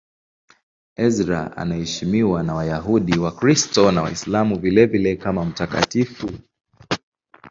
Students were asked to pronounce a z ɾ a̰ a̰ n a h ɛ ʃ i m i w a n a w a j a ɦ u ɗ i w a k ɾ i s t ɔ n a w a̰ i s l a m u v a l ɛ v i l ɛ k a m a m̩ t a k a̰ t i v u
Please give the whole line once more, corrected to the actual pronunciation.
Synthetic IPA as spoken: ɛ z ɾ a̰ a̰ n a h ɛ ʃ i m i w a n a w a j a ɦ u ɗ i w a k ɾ i s t ɔ n a w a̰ i s l a m u v i l ɛ v i l ɛ k a m a m̩ t a k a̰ t i f u